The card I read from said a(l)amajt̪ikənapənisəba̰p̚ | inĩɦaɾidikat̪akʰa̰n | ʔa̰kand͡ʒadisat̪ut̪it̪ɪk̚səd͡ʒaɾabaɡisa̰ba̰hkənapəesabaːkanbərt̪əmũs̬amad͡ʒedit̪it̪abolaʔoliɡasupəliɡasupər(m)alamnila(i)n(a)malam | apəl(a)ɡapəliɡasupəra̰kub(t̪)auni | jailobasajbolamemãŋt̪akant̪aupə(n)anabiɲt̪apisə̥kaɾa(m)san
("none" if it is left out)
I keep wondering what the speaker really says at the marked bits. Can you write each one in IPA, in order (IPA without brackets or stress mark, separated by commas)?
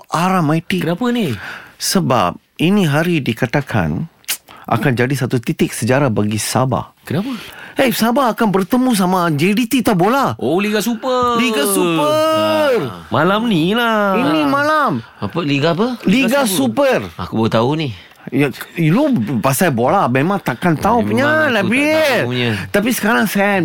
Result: ɾ, m, i, i, i, t̪, ɲ, ŋ